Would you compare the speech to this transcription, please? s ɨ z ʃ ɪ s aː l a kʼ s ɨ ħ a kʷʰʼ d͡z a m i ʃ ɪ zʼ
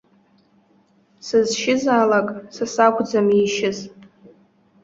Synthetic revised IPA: s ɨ z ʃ ɪ z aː l a kʼ s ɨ s a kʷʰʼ d͡z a m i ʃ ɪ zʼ